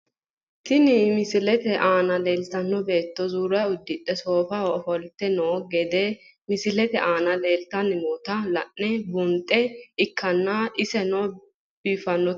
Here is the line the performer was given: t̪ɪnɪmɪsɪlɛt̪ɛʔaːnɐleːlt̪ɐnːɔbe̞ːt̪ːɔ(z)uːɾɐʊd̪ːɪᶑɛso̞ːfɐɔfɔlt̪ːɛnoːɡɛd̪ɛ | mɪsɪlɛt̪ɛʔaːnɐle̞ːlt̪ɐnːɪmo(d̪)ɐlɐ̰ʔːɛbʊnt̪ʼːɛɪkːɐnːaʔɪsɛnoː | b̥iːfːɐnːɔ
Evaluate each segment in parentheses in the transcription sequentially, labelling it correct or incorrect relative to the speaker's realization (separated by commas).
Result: correct, incorrect